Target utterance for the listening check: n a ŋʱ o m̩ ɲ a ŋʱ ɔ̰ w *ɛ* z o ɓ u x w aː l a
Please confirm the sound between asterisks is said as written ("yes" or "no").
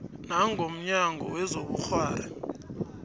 yes